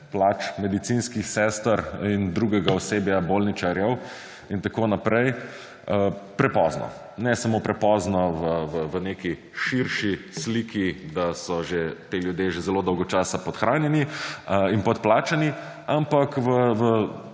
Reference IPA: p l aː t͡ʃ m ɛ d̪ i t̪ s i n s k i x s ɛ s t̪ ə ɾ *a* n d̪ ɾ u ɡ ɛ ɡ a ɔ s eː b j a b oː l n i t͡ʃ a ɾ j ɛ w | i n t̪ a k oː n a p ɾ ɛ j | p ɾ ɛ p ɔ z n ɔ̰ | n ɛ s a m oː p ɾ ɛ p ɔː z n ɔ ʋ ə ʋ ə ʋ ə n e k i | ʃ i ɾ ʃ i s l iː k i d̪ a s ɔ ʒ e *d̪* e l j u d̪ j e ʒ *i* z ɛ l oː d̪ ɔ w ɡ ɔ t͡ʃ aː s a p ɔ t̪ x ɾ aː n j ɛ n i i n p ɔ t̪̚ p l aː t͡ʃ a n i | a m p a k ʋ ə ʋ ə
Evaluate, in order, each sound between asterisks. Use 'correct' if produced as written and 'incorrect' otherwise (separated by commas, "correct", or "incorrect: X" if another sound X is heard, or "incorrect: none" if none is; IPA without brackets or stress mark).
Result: incorrect: i, incorrect: t̪, incorrect: e